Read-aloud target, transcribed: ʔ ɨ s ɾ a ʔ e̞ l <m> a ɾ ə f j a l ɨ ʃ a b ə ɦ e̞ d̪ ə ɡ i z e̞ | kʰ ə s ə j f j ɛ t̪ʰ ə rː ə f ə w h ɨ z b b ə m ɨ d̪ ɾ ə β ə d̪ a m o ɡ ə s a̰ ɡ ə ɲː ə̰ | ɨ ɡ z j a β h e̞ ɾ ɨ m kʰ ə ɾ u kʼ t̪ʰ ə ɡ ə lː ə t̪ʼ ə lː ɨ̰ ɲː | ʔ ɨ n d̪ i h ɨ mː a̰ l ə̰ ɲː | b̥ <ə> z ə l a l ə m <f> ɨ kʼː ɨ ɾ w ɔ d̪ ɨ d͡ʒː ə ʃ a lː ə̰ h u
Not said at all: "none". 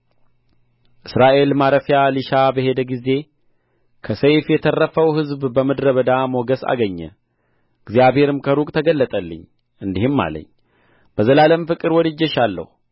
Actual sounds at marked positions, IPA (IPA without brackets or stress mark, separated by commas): m, ə, f